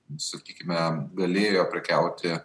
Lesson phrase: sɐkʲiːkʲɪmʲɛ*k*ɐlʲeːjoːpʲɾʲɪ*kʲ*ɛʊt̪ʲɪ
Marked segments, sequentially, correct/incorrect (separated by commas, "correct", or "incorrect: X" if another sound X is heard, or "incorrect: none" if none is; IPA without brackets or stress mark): incorrect: ɡ, correct